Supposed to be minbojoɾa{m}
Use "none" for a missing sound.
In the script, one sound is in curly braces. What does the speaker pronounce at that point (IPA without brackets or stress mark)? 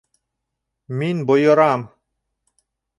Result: m